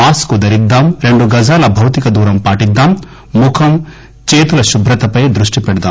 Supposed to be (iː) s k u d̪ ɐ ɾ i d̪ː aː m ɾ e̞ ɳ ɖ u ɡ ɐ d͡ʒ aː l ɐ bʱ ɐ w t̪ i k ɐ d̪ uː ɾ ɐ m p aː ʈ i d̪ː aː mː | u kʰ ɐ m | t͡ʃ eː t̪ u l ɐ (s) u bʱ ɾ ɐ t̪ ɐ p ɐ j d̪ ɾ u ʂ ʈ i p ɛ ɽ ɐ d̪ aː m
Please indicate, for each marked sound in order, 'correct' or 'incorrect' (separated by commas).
incorrect, incorrect